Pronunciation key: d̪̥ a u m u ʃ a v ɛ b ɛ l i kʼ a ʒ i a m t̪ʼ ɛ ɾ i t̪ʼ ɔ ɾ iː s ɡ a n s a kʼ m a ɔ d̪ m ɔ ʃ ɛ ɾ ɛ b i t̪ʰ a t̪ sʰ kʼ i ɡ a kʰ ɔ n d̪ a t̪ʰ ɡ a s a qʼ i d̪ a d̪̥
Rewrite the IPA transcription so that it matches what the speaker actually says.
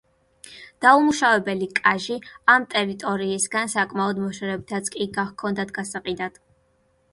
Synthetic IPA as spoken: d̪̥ a u m u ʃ a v ɛ b ɛ l i kʼ a ʒ i a m t̪ʼ ɛ ɾ i t̪ʼ ɔ ɾ iː s ɡ a n s a kʼ m a ɔ d̪ m ɔ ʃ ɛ ɾ ɛ b i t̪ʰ a t̪ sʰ kʼ i ɡ a kʰ ɔ n d̪ a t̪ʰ ɡ a s a qʼ i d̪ a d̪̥

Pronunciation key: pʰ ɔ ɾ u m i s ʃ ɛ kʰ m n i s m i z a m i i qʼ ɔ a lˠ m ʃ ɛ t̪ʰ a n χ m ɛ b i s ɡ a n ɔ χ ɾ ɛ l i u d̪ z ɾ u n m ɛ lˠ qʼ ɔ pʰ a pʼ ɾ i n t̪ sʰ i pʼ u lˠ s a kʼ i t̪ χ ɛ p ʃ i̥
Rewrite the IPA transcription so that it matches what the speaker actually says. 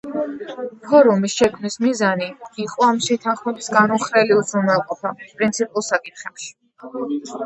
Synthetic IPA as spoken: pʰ ɔ ɾ u m i s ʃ ɛ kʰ m n i s m i z a n i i qʼ ɔ a m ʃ ɛ t̪ʰ a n χ m ɛ b i s ɡ a n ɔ χ ɾ ɛ l i u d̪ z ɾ u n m ɛ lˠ qʼ ɔ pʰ a pʼ ɾ i n t̪ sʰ i pʼ u lˠ s a kʼ i t̪ χ ɛ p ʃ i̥

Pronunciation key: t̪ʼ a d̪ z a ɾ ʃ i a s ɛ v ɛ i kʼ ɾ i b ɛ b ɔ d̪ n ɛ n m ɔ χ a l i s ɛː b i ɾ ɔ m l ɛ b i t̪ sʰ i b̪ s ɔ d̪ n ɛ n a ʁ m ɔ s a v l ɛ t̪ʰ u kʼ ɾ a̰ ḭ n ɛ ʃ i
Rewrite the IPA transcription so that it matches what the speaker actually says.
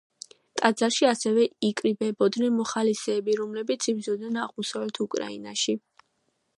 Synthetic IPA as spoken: t̪ʼ a d̪ z a ɾ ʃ i a s ɛ v ɛ i kʼ ɾ i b ɛ b ɔ d̪ n ɛ n m ɔ χ a l i s ɛː b i ɾ ɔ m l ɛ b i t̪ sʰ i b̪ z ɔ d̪ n ɛ n a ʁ m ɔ s a v l ɛ t̪ʰ u kʼ ɾ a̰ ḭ n a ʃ i

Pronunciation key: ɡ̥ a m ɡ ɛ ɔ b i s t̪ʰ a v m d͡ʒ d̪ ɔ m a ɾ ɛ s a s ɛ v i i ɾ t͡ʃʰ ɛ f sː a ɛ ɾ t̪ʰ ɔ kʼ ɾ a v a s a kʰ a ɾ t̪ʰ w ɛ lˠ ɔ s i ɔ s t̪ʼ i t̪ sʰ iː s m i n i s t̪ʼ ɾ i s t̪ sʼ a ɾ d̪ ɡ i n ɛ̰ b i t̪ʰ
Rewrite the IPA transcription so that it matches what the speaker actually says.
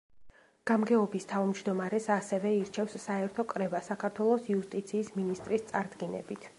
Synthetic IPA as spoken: ɡ̥ a m ɡ ɛ ɔ b i s t̪ʰ a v m d͡ʒ d̪ ɔ m a ɾ ɛ s a s ɛ v ɛ i ɾ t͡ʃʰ ɛ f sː a ɛ ɾ t̪ʰ ɔ kʼ ɾ ɛ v a s a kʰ a ɾ t̪ʰ w ɛ lˠ ɔ s i u s t̪ʼ i t̪ sʰ iː s m i n i s t̪ʼ ɾ i s t̪ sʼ a ɾ d̪ ɡ i n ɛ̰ b i t̪ʰ

